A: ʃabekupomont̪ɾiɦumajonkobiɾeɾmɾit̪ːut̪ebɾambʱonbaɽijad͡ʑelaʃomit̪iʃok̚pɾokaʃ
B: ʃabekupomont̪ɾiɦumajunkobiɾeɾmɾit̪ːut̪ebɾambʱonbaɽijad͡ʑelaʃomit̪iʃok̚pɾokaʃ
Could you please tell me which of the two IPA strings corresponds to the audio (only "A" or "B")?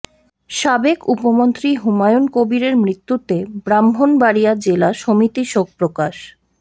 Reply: A